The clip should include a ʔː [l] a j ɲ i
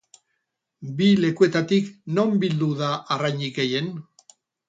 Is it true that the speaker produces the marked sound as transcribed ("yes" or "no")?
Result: no